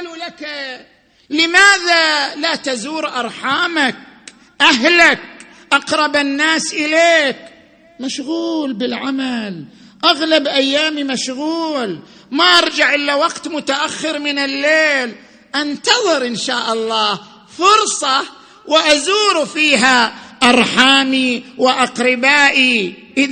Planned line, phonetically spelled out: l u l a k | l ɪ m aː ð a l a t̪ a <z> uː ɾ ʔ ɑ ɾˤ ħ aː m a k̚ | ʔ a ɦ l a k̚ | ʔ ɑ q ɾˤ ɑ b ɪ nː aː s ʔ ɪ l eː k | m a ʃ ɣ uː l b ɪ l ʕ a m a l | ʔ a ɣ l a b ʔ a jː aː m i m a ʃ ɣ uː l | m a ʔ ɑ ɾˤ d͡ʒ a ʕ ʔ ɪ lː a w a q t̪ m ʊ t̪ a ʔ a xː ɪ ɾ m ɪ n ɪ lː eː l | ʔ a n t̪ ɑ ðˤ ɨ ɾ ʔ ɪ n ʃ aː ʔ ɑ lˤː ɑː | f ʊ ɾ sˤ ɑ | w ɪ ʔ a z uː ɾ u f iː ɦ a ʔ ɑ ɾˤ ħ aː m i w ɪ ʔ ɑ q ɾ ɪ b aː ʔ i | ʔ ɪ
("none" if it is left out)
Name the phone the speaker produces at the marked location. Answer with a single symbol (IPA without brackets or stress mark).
z